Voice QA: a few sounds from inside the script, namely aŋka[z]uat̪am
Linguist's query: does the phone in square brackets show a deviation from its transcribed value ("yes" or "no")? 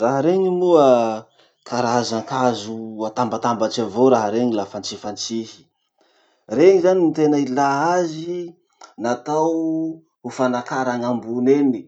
no